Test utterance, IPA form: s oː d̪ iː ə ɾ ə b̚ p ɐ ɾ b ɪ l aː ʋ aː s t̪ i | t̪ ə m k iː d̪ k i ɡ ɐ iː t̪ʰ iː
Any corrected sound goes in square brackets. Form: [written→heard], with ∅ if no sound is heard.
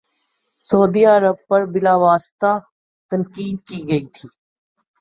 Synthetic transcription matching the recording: s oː d̪ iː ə ɾ ə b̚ p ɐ ɾ b ɪ l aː ʋ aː s t̪ [i→a] | t̪ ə [m→n] k iː d̪ k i ɡ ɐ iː t̪ʰ iː

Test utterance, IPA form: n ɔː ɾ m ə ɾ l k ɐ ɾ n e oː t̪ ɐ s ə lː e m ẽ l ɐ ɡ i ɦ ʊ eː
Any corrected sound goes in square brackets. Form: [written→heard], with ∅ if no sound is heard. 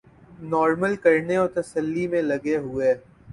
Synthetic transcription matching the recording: n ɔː ɾ m ə [ɾ→∅] l k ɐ ɾ n e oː t̪ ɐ s ə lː [e→i] m ẽ l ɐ ɡ [i→e] ɦ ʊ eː

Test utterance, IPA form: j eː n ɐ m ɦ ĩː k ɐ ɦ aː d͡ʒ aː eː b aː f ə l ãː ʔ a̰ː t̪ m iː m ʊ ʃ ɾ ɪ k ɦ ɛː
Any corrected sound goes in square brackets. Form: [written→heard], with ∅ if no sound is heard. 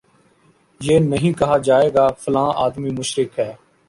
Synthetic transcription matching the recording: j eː n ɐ [m→∅] ɦ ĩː k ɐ ɦ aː d͡ʒ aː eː [b→ɡ] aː f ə l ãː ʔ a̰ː [t̪→d̪] m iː m ʊ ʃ ɾ ɪ k ɦ ɛː

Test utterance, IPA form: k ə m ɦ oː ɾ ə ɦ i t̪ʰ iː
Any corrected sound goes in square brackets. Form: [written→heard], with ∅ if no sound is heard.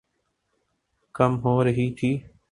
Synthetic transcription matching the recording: k ə m ɦ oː ɾ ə ɦ [i→iː] t̪ʰ iː

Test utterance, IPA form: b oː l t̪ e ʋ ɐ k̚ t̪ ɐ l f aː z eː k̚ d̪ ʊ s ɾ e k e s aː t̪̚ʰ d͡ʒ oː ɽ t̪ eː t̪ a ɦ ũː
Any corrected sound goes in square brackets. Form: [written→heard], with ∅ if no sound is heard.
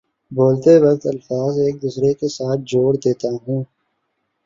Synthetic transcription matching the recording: b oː l t̪ e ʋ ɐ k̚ t̪ ɐ l f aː z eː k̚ d̪ ʊ s ɾ e k e s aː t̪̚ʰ d͡ʒ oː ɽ [t̪→d̪] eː t̪ a ɦ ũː

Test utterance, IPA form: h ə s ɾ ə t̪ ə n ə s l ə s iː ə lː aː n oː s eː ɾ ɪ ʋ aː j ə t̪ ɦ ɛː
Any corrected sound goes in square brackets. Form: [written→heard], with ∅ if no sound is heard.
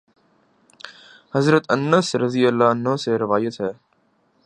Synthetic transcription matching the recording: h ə [s→z] ɾ ə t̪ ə n ə s [l→ɾ] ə [s→z] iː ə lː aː n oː s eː ɾ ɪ ʋ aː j ə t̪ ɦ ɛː

